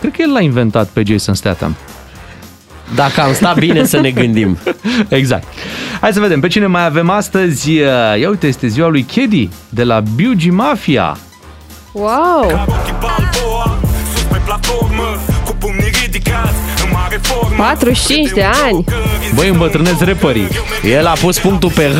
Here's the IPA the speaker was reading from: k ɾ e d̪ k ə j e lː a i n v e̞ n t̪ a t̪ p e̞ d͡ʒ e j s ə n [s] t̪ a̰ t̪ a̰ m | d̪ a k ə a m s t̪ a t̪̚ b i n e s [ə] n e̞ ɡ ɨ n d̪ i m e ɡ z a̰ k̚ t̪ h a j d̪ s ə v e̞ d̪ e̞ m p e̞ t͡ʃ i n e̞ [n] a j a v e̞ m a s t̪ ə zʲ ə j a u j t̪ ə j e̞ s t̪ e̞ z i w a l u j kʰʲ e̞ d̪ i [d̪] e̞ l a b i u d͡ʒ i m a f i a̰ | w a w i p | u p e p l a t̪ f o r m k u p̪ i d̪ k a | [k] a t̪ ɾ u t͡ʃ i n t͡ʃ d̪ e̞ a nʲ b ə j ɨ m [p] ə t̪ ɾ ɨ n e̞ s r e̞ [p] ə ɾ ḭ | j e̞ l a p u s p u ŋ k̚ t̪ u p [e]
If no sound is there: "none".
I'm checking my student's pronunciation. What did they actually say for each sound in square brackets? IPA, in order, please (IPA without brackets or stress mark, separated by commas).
s, ə, m, d̪, p, b, p, e